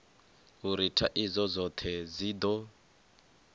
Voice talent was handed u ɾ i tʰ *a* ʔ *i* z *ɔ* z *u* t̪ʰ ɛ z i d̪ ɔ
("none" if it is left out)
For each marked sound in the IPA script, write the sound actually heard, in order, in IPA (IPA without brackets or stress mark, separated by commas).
a, i, ɔ, ɔ